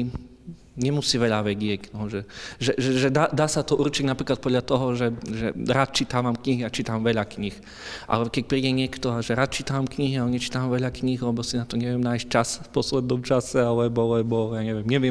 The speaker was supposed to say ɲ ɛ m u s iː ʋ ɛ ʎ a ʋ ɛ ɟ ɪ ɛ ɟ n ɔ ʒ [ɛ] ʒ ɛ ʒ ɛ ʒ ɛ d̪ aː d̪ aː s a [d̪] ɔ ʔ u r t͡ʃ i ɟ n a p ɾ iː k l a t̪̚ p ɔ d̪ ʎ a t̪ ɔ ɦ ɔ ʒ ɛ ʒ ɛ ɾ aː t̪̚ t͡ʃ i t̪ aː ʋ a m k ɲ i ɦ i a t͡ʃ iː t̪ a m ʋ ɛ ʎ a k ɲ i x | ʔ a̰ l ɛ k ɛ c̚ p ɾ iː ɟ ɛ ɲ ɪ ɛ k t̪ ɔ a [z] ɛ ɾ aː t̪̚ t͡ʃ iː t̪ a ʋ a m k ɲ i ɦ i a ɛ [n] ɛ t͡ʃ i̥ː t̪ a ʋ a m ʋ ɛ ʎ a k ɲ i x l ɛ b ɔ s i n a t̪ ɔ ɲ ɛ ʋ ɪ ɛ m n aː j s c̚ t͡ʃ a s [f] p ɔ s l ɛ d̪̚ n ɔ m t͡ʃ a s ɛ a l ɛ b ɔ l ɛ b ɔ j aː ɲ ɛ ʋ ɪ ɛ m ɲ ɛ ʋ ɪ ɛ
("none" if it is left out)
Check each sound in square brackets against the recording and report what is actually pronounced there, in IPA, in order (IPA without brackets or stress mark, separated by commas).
ɛ, t̪, ʒ, ɲ, f